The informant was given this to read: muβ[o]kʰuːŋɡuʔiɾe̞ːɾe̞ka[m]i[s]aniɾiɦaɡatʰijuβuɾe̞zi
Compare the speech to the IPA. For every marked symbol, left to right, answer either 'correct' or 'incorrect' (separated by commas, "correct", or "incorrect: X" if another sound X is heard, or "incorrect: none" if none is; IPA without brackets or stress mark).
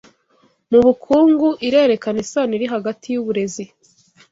incorrect: u, incorrect: n, correct